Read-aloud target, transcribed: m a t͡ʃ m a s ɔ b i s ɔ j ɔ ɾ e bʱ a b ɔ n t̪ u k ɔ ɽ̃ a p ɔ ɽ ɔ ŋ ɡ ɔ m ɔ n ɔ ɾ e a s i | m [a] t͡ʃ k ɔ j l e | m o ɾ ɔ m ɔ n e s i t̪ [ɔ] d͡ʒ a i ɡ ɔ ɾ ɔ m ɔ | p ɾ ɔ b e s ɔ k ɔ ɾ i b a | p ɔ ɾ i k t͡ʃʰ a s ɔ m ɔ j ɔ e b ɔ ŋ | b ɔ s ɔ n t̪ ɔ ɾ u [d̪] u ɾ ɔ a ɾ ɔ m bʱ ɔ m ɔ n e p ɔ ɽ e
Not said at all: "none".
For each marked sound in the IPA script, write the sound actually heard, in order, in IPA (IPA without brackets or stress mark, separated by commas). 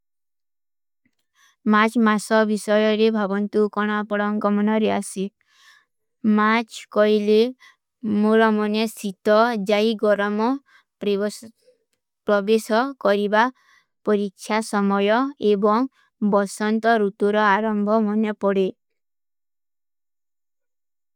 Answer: a, ɔ, t̪